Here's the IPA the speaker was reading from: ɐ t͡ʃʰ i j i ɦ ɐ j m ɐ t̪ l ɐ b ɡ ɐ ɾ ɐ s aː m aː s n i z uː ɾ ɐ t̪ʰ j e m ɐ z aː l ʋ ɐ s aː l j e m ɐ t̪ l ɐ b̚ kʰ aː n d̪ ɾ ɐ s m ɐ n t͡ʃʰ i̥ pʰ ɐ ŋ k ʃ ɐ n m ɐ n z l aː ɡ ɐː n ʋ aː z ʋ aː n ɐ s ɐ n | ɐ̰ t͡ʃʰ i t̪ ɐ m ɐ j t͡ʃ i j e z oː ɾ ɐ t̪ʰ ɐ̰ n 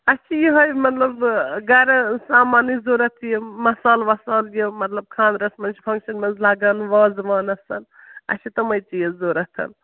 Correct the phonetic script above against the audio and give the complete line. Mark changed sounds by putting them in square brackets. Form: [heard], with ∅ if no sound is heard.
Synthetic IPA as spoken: ɐ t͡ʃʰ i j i ɦ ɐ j m ɐ t̪ l ɐ b ɡ ɐ ɾ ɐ s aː m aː [∅] n i z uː ɾ ɐ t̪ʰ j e m ɐ [s] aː l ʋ ɐ s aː l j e m ɐ t̪ l ɐ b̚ kʰ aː n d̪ ɾ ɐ s m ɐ n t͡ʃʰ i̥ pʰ ɐ ŋ k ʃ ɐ n m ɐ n z l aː ɡ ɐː n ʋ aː z ʋ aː n ɐ s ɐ n | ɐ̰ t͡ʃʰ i t̪ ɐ m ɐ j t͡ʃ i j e z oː ɾ ɐ t̪ʰ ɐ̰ n